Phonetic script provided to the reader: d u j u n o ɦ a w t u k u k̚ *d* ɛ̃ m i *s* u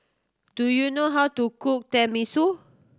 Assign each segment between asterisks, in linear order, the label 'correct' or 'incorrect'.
incorrect: t, correct

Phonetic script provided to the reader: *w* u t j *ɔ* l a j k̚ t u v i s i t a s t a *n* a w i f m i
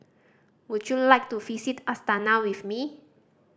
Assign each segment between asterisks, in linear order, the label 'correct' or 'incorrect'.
correct, incorrect: u, correct

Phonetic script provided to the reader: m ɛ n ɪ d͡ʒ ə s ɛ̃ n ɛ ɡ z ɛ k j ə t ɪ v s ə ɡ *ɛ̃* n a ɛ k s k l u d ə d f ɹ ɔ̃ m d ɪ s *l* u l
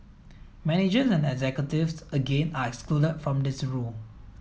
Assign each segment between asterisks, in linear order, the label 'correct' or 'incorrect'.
incorrect: ẽ, incorrect: ɹ

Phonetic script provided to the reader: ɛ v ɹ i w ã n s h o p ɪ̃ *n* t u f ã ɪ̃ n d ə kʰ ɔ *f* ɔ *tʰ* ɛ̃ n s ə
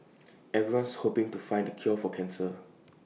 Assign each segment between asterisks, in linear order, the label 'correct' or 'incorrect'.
incorrect: ŋ, correct, incorrect: kʰ

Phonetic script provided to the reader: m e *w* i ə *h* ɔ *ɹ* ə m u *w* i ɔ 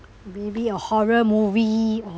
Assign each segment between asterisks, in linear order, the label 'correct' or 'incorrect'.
incorrect: b, correct, correct, incorrect: v

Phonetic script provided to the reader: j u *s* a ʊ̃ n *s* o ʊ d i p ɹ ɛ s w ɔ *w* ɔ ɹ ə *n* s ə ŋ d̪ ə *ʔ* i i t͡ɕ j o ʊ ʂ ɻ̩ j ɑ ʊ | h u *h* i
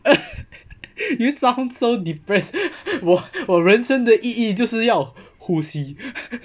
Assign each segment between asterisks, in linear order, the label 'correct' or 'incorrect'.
correct, correct, correct, correct, correct, incorrect: s

